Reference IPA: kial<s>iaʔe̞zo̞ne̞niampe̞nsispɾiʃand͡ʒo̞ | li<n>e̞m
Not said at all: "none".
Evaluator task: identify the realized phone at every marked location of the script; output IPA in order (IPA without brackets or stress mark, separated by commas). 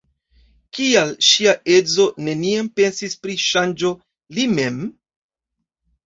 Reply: ʃ, m